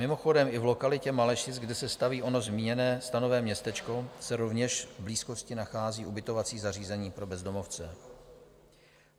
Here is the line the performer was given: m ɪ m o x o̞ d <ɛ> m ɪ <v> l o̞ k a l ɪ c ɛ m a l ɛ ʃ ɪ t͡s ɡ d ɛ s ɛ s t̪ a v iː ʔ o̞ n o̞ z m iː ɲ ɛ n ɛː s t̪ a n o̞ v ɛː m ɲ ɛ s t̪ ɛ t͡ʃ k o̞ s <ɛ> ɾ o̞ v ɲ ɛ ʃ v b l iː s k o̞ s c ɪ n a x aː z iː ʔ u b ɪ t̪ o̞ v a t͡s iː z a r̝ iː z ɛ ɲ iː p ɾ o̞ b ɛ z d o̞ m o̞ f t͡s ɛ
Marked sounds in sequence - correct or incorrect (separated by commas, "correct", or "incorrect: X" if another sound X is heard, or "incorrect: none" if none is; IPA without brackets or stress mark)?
correct, correct, correct